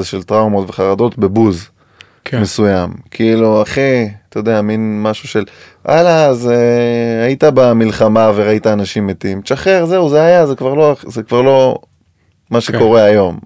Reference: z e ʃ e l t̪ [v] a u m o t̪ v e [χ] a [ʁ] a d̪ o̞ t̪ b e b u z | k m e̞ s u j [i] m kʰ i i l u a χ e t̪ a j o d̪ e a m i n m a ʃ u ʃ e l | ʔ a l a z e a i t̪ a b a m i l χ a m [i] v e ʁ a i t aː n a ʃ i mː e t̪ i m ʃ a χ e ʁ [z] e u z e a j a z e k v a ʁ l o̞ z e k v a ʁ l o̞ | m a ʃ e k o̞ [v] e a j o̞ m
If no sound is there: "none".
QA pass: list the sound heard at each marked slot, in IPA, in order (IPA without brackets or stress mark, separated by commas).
ʁ, χ, ʁ, a, a, z, ʁ